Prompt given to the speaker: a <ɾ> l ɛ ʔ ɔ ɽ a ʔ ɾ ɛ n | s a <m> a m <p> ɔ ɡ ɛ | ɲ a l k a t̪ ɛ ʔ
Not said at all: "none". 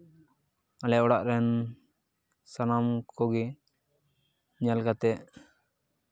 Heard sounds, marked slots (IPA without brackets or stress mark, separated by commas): none, n, k